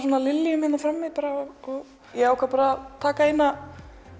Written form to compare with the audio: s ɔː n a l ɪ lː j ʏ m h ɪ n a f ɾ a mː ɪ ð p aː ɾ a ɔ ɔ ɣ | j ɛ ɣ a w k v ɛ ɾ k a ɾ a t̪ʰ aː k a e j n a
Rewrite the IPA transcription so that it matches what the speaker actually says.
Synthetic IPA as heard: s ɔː n a l ɪ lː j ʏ m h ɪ n a f ɾ a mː ɪ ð p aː ɾ a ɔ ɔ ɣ | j ɛ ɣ a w k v a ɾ p a ɾ a t̪ʰ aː k a e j n a

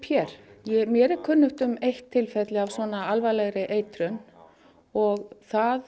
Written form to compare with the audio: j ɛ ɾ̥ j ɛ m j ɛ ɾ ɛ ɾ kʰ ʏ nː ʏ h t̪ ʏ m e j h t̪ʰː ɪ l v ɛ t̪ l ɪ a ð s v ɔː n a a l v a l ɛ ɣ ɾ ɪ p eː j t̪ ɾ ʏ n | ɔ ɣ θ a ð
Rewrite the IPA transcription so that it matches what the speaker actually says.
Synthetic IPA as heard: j ɛ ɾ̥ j ɛ m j ɛ ɾ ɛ ɾ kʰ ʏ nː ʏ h t̪ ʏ m e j h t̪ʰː ɪ l f ɛ t̪ l ɪ a v s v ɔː n a a l v a l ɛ ɣ ɾ ɪ ʔ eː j t̪ ɾ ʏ n | ɔ ɣ θ a ð

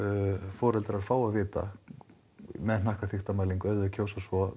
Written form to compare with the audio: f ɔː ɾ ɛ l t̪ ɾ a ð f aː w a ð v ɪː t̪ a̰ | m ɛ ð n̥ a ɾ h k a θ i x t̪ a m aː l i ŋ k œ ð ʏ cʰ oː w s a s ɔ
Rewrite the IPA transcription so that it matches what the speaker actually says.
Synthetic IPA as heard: f ɔː ɾ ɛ l t̪ ɾ a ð f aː w a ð v ɪː t̪ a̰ | m ɛ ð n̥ a h k a θ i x t̪ a m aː l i ŋ k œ ð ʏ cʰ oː w s a s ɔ

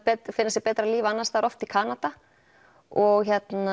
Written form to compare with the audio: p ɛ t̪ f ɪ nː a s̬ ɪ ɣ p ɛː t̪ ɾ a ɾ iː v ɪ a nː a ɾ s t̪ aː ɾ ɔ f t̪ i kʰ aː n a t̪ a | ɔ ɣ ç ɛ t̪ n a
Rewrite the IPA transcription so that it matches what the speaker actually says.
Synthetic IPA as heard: p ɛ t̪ f ɪ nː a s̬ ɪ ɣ p ɛː t̪ ɾ a l iː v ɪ a nː a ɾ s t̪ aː ɾ ɔ f t̪ i kʰ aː n a t̪ a | ɔ ɣ ç ɛ t̪ n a

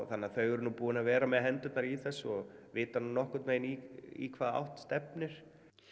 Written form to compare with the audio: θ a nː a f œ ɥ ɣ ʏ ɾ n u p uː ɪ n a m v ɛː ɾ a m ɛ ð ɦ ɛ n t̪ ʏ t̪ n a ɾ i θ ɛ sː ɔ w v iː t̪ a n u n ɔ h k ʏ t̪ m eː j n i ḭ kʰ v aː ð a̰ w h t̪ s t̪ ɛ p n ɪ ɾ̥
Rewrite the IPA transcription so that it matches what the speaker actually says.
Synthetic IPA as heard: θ a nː a θ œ ɥ ɣ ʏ ɾ n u p uː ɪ n a v ɛː ɾ a m ɛ ð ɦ ɛ n t̪ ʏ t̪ n a ɾ i θ ɛ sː ɔ ɣ v ɪː t̪ a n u n ɔ h k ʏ t̪ m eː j n i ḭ kʰ v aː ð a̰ w h t̪ s t̪ ɛ p n ɪ ɾ̥

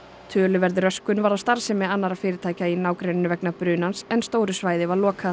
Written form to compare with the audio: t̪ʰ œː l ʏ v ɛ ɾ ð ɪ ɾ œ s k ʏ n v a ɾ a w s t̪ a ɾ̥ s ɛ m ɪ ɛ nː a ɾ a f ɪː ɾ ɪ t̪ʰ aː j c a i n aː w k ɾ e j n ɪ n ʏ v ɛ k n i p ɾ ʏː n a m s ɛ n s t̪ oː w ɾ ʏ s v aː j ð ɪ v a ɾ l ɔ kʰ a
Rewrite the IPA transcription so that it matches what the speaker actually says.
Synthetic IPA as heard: t̪ʰ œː l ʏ v ɛ ɾ ð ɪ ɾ œ s k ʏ n v a ɾ a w s t̪ a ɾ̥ s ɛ m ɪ a nː a ɾ a f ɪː ɾ ɪ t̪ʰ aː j c a i n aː w k ɾ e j n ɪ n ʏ v ɛ k n a p ɾ ʏː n a n s ɛ n s t̪ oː w ɾ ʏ s v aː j ð ɪ v a ɾ l ɔː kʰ a

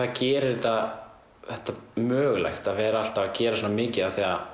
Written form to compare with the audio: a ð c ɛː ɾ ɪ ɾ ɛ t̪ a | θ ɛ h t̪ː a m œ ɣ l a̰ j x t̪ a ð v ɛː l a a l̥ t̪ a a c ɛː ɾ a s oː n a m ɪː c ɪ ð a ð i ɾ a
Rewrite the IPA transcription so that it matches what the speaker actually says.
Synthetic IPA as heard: a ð c ɛː ɾ ɪ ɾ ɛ t̪ a | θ ɛ h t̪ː a m œː ɣ l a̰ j x t̪ a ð v ɛː ɾ a a l̥ t̪ a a c ɛː ɾ a s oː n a m ɪː c ɪ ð a θ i a

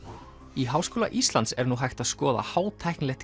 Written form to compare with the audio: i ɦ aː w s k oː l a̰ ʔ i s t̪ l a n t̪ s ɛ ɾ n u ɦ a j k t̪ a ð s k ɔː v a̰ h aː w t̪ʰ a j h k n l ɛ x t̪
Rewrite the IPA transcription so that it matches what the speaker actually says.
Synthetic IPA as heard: i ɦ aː w s k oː l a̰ ʔ i s t̪ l a n t̪ s ɛ ɾ n u ɦ a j x t̪ a ð s k ɔː ð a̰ h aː w t̪ʰ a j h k n l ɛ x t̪

